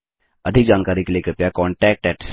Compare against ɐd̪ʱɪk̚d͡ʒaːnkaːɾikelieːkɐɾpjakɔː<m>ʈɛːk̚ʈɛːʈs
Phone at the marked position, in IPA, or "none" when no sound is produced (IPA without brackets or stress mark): ɳ